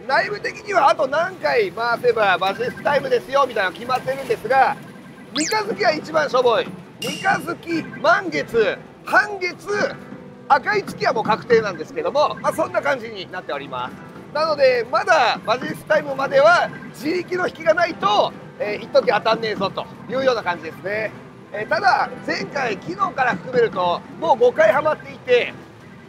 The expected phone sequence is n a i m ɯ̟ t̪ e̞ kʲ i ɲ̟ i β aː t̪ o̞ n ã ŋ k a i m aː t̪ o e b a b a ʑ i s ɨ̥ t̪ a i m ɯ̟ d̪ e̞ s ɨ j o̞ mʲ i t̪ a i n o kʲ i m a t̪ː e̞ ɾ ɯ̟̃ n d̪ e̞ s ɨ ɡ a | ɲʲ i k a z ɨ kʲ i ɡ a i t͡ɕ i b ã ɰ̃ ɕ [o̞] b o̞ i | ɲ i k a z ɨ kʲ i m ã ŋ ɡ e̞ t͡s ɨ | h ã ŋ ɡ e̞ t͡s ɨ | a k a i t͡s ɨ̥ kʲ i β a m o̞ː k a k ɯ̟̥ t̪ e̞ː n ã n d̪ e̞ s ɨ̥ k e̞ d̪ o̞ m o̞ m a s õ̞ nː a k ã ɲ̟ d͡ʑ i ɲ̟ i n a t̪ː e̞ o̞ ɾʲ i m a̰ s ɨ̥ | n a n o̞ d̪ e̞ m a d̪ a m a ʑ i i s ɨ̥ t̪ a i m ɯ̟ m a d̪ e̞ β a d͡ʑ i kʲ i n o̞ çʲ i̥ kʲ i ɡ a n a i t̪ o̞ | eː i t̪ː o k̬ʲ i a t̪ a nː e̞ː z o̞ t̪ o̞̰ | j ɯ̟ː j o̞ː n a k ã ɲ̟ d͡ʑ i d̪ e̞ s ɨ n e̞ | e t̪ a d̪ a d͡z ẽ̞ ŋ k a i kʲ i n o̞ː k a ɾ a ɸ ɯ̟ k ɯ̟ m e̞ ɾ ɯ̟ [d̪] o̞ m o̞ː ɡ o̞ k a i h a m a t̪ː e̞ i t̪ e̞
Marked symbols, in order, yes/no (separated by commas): yes, no